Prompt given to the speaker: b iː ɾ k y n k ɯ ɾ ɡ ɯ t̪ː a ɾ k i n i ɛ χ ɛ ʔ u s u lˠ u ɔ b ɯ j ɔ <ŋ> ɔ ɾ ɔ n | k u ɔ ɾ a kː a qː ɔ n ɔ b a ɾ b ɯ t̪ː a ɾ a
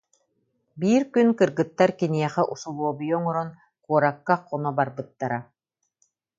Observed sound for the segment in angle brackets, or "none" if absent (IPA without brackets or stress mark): ŋ